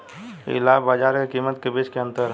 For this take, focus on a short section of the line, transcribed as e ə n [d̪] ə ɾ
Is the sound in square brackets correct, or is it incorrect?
incorrect